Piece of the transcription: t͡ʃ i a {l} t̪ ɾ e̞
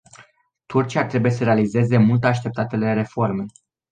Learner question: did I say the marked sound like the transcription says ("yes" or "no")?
no